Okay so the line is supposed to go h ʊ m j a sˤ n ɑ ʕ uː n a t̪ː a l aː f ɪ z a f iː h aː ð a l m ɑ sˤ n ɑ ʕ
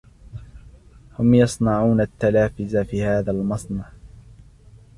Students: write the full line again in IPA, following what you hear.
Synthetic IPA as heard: h ʊ m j ɑ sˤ n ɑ ʕ uː n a t̪ː a l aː f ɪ z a f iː h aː ð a l m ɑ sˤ n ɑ ʕ